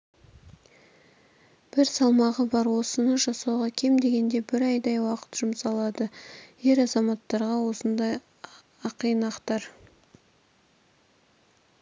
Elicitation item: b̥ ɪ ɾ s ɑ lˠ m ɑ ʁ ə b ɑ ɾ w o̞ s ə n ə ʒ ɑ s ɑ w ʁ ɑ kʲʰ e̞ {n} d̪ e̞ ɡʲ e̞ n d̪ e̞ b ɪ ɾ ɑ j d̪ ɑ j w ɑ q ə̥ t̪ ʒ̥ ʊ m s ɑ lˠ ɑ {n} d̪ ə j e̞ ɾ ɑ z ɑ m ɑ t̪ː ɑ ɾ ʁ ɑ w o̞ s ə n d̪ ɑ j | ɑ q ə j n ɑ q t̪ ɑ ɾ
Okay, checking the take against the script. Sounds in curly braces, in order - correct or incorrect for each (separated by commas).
incorrect, incorrect